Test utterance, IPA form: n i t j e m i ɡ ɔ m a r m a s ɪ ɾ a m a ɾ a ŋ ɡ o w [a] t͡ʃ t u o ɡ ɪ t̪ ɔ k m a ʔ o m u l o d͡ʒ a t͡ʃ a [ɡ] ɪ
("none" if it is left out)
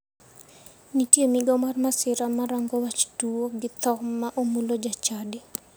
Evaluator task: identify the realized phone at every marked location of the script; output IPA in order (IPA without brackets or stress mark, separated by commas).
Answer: a, d